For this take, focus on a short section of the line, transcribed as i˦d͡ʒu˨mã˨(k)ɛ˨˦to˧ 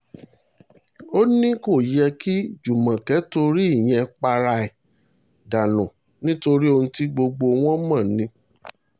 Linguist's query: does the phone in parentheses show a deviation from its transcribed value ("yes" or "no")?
no